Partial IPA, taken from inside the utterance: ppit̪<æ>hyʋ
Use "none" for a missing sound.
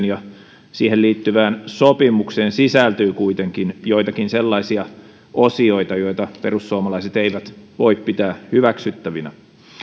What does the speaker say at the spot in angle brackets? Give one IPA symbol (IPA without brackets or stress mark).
æː